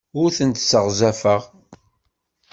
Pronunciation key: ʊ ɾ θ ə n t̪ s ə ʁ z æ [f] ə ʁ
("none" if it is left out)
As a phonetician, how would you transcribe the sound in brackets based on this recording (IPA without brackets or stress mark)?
f